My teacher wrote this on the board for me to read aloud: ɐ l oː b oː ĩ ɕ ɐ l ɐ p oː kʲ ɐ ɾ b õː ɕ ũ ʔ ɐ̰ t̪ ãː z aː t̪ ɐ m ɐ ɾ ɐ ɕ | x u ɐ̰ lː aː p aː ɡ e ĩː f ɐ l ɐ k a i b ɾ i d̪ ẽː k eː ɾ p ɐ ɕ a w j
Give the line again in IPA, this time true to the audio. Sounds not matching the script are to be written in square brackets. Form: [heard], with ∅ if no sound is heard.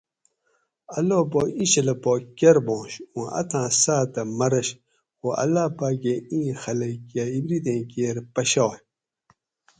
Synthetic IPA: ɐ l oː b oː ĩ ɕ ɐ l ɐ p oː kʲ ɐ ɾ b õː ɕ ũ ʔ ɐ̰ t̪ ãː [s] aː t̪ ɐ m ɐ ɾ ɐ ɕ | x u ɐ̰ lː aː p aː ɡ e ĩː [x] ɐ l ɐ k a i b ɾ i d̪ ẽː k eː ɾ p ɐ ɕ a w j